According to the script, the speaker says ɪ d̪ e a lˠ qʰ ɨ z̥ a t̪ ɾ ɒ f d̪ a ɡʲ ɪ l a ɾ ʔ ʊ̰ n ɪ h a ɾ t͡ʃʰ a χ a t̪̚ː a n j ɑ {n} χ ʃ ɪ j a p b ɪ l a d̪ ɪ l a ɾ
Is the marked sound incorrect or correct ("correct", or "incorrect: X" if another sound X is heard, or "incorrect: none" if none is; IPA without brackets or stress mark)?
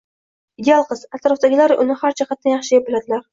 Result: incorrect: none